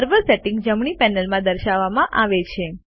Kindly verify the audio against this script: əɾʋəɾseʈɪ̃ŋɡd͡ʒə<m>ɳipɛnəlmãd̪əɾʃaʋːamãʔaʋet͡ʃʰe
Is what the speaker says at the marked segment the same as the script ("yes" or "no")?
yes